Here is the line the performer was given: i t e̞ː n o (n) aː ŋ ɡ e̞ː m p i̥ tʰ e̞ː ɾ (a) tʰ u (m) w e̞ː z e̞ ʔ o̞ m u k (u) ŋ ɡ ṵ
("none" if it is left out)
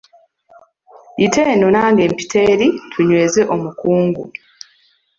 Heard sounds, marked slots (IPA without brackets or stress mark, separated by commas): n, i, ɲ, uː